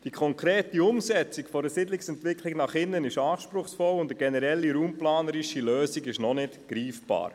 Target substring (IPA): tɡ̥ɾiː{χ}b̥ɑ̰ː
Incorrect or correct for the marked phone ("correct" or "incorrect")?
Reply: incorrect